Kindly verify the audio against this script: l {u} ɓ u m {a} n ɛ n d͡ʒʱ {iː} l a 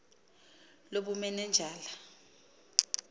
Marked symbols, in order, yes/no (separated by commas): no, no, no